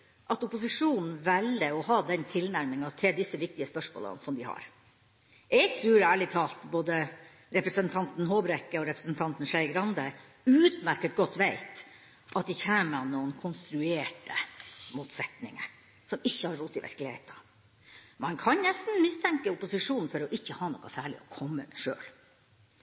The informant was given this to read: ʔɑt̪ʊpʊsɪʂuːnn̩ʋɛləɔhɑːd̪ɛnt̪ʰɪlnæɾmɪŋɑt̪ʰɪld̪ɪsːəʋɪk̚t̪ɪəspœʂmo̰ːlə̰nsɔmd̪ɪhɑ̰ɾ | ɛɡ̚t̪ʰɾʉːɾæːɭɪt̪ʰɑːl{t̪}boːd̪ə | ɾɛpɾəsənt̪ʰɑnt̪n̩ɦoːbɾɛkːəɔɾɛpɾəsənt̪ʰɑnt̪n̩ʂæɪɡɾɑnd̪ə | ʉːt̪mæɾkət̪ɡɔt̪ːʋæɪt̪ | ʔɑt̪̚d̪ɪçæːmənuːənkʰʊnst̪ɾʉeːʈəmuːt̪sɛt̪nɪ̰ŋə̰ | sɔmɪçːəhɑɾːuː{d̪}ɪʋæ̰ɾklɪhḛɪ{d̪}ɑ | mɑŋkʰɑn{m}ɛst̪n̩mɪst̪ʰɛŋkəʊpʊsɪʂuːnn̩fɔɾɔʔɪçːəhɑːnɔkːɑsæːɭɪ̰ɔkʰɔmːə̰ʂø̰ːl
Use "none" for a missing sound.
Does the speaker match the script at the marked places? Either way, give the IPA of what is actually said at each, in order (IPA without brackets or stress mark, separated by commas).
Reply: t̪, t̪, t̪, n